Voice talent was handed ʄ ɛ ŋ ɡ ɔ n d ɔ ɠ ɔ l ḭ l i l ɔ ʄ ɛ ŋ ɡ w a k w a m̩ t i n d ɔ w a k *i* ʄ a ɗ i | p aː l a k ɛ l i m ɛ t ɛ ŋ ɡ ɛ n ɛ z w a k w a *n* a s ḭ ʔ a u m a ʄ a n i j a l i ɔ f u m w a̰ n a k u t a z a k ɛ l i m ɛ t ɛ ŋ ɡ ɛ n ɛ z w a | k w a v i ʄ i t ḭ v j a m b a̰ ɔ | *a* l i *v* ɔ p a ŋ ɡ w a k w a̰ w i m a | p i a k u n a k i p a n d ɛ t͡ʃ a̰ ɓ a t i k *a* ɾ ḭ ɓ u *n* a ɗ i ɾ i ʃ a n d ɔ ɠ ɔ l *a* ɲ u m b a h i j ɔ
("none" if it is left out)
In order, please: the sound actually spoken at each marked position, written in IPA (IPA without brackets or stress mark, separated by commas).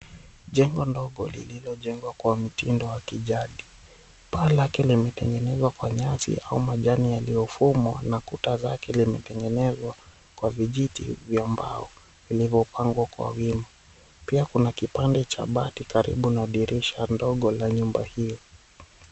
i, ɲ, i, v, a, n, a